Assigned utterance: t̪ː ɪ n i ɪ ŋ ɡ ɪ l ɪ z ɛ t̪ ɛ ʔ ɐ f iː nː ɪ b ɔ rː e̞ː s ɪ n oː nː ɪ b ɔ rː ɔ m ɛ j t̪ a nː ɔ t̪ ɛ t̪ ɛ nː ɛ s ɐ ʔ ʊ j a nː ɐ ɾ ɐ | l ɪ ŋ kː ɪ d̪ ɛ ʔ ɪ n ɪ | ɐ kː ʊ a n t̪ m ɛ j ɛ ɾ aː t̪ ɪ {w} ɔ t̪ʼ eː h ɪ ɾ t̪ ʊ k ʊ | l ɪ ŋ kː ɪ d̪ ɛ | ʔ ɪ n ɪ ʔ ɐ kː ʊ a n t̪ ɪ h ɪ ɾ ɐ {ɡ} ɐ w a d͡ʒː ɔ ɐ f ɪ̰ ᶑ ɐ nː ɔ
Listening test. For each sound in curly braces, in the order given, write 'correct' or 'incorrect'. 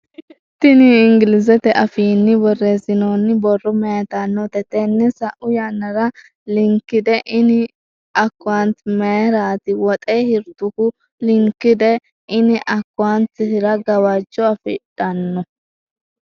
correct, correct

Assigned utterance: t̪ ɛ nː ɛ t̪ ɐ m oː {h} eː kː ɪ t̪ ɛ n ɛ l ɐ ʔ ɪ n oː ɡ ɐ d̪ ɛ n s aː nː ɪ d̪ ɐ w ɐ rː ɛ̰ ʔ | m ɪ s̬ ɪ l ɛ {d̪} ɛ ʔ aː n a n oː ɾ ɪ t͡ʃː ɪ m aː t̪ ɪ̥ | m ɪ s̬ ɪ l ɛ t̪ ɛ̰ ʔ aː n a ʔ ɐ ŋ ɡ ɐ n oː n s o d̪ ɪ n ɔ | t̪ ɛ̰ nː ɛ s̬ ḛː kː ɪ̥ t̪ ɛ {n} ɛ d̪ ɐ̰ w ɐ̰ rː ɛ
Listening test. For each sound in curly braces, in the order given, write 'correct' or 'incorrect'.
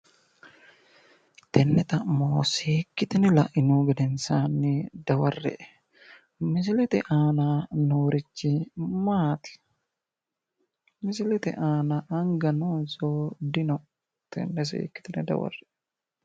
incorrect: s, incorrect: t̪, correct

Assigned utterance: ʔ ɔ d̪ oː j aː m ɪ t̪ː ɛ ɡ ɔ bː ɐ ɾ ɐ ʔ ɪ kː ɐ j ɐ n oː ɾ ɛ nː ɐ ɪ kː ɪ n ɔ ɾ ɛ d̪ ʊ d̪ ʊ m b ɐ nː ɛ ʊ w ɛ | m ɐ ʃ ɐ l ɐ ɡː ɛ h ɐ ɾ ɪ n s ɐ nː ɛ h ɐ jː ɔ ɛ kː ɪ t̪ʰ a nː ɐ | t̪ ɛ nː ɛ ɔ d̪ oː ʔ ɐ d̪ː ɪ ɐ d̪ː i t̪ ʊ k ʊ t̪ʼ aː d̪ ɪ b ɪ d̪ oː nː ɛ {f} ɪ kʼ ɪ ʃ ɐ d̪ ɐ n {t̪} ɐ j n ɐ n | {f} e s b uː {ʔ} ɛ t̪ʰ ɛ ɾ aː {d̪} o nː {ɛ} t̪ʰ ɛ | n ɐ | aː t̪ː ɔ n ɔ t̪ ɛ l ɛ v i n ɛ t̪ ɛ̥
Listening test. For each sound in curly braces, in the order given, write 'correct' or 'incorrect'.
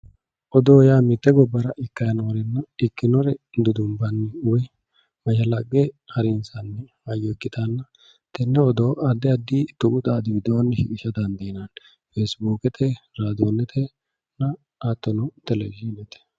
incorrect: ʃ, incorrect: d̪, correct, incorrect: k, correct, correct

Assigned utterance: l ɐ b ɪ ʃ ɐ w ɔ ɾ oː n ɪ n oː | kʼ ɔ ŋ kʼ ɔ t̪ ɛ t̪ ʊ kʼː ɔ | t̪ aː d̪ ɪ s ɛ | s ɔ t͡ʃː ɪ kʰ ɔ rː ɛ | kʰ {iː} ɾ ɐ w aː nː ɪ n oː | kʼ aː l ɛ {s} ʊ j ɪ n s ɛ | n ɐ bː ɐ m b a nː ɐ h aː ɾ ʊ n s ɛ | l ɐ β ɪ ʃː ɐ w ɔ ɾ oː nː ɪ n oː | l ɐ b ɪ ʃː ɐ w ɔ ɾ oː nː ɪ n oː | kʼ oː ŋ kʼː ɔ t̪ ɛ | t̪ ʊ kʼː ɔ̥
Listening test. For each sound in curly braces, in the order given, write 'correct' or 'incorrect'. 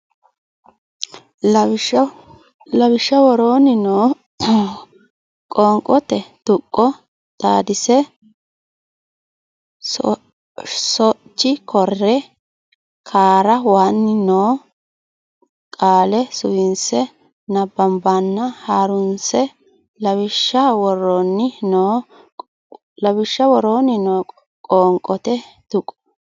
incorrect: aː, correct

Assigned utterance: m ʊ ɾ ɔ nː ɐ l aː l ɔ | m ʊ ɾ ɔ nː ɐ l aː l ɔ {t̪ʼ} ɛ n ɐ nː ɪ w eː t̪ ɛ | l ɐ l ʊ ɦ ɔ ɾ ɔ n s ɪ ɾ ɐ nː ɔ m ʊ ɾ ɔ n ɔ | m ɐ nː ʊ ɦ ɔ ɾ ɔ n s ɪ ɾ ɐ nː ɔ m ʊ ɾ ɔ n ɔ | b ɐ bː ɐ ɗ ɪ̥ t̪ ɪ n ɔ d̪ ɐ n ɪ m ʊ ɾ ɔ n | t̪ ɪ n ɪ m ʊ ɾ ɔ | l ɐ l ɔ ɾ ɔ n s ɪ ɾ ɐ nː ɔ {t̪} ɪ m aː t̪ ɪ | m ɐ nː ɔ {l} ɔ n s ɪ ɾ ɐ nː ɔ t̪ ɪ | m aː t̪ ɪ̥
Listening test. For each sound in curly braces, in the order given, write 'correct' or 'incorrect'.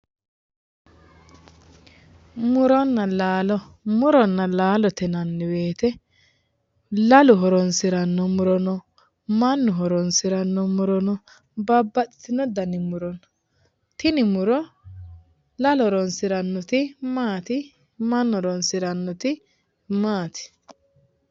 incorrect: t̪, correct, incorrect: ɾ

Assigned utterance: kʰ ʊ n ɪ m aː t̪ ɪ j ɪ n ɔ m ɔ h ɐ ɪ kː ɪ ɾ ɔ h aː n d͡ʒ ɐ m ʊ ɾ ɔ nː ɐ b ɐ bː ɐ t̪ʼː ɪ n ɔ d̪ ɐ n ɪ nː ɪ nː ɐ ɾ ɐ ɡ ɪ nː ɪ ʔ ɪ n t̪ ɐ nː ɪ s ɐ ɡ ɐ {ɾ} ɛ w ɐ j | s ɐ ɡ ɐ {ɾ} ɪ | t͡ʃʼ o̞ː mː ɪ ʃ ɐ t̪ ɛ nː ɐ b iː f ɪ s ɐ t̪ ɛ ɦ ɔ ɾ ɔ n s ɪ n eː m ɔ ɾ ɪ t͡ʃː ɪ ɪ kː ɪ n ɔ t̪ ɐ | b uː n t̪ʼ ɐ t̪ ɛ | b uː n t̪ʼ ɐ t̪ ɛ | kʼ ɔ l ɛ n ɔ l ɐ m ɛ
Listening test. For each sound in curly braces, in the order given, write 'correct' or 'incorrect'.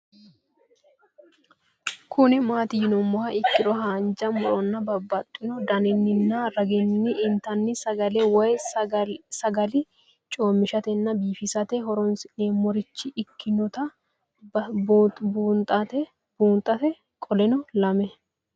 incorrect: l, incorrect: l

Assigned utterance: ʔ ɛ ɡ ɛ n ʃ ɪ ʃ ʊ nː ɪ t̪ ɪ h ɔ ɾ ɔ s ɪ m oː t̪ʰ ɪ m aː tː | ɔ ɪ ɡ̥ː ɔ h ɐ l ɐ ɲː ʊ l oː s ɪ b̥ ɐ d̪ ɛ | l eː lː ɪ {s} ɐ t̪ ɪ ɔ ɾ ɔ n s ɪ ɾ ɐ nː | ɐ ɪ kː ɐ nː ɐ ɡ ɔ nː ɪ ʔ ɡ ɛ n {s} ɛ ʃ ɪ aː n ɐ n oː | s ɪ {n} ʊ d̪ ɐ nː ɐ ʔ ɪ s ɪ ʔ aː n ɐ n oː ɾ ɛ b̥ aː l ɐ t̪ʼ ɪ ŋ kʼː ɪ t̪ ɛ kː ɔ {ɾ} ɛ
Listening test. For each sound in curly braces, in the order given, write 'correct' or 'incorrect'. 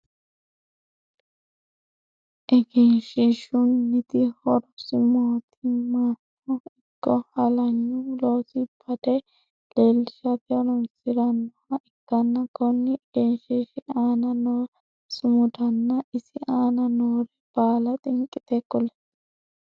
incorrect: ʃ, incorrect: ʃ, incorrect: m, incorrect: l

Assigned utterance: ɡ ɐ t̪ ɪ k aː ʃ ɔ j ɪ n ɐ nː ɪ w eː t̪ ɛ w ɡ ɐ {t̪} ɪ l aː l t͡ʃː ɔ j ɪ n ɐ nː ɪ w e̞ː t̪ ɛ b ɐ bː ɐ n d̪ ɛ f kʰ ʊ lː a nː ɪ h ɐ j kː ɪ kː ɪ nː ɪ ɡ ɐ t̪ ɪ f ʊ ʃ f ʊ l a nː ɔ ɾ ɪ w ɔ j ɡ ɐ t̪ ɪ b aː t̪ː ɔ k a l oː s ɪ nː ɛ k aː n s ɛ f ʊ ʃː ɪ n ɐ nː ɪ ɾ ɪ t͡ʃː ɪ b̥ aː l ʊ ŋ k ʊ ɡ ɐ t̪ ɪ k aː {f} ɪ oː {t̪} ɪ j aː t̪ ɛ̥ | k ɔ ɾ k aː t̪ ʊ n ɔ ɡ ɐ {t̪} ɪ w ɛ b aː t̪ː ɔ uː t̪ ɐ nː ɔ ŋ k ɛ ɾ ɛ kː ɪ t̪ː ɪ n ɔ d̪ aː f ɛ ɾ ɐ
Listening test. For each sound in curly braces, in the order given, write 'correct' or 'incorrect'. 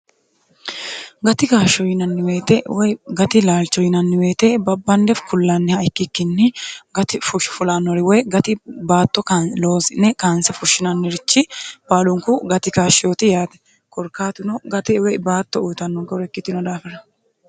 correct, incorrect: ʃ, correct, correct

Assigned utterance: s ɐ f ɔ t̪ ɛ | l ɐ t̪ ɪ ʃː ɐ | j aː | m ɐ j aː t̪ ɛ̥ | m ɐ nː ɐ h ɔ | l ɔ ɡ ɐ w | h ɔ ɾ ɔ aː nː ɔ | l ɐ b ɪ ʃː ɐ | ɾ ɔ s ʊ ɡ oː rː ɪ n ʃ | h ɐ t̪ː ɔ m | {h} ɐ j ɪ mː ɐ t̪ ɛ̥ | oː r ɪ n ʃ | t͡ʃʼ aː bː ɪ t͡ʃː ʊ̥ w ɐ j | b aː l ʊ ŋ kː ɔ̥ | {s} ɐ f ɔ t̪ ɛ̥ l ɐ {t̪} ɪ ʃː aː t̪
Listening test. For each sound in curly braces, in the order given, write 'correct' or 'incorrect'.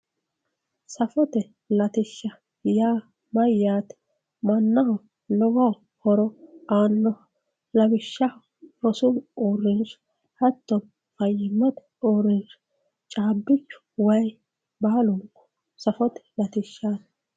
incorrect: f, correct, correct

